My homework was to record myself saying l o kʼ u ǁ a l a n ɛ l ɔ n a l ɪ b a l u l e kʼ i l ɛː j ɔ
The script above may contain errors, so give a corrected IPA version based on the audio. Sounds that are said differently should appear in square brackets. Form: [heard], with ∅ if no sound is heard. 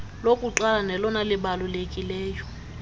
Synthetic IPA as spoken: l o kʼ u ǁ a l a n ɛ l ɔ n a l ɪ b a l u l e kʼ i l ɛː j ɔ